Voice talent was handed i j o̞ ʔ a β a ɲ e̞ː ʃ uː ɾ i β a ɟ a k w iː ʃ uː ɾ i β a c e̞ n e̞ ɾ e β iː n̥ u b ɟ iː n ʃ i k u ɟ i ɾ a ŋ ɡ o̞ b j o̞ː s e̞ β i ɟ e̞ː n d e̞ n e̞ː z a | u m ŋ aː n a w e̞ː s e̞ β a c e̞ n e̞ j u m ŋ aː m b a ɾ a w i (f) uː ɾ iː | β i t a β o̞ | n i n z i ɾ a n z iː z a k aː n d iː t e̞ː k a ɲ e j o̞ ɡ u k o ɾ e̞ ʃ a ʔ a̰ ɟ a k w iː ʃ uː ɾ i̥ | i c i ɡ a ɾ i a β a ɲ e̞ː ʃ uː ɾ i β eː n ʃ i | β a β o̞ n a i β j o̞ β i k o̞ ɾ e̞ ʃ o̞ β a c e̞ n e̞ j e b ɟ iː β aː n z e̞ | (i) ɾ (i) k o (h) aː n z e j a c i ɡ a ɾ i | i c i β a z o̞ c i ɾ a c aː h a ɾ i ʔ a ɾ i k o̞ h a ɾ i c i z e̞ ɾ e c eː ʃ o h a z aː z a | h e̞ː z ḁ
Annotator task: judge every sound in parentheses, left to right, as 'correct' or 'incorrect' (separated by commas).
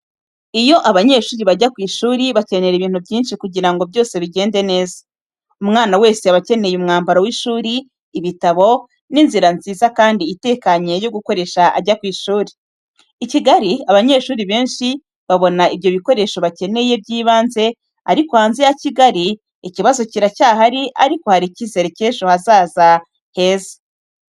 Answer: incorrect, incorrect, correct, correct